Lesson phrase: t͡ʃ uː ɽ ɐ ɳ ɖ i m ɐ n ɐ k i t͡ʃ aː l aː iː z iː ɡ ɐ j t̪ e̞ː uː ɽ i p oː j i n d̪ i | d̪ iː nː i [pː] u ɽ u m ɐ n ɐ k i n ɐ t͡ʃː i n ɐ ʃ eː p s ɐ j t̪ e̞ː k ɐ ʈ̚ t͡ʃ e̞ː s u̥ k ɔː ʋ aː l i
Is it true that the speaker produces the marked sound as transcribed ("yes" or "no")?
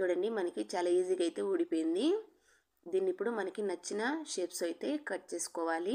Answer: yes